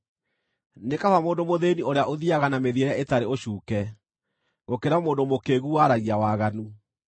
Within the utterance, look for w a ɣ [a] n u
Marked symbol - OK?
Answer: yes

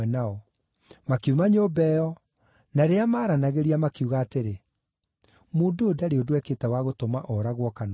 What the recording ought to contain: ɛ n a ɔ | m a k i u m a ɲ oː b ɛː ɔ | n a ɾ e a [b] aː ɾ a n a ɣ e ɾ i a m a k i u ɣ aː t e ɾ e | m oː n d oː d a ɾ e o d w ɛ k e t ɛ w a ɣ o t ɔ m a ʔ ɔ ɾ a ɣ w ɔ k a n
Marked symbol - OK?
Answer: no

